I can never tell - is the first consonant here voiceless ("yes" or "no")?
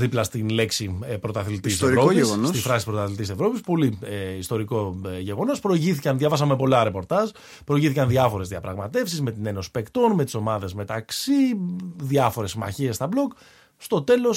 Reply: no